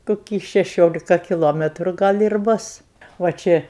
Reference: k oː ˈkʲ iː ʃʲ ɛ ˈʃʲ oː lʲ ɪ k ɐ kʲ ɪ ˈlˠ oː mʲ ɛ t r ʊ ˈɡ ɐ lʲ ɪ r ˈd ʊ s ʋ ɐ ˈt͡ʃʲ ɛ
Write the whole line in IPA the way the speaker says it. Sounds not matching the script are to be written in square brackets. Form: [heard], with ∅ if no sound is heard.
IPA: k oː ˈkʲ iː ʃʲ ɛ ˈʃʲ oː lʲ ɪ k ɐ kʲ ɪ ˈlˠ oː mʲ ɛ t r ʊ ˈɡ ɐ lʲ ɪ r [ˈb] ʊ s ʋ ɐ ˈt͡ʃʲ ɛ